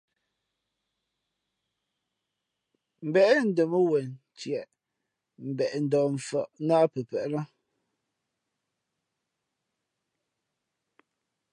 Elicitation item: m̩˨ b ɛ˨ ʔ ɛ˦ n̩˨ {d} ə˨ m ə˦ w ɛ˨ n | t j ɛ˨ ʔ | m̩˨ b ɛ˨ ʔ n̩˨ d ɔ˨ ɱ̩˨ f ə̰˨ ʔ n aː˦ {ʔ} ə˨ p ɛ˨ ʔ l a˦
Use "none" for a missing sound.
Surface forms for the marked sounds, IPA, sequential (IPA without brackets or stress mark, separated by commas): d, p